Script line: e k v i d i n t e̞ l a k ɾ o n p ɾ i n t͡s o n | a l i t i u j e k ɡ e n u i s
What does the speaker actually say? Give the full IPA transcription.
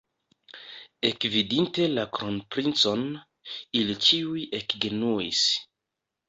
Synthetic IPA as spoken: e k v i d i n t e̞ l a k ɾ o n p ɾ i n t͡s o n | i l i t͡ʃ i u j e k ɡ e n u i s